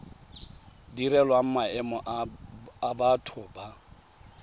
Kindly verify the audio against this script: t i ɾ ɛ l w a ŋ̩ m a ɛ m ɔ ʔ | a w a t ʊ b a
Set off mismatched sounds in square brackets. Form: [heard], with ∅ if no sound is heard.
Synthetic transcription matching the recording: [d] i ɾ ɛ l w a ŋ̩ m a ɛ m ɔ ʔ | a [b] a [tʰ] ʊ b a